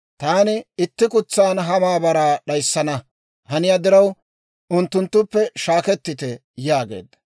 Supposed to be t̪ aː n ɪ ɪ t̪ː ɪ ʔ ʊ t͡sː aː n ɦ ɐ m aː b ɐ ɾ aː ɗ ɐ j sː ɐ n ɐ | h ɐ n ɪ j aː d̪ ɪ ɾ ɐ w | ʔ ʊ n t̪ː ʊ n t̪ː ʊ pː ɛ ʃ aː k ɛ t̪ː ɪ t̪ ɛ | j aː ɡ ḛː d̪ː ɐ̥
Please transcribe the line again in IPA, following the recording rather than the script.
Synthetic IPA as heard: t̪ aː n ɪ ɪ t̪ː ɪ k ʊ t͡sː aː n ɦ ɐ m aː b ɐ ɾ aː ɗ ɐ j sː ɐ n ɐ | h ɐ n ɪ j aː d̪ ɪ ɾ ɐ w | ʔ ʊ n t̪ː ʊ n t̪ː ʊ pː ɛ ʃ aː k ɛ t̪ː ɪ t̪ ɛ | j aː ɡ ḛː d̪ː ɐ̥